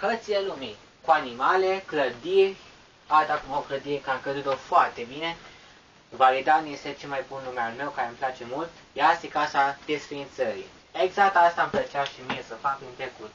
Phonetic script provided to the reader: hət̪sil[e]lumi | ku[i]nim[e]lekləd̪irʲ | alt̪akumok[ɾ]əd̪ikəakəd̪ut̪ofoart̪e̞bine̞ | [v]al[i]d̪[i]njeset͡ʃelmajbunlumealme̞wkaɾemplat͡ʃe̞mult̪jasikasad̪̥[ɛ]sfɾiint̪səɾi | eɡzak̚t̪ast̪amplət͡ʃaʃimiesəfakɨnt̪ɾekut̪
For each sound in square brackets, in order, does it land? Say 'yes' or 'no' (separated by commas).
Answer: yes, no, no, no, yes, yes, no, no